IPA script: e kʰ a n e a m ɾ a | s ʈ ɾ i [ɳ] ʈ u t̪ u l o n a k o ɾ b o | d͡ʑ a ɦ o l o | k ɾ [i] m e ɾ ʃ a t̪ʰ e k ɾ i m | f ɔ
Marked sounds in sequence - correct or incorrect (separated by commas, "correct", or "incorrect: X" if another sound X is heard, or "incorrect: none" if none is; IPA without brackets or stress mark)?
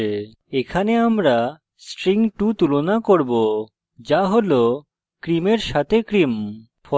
incorrect: ŋ, correct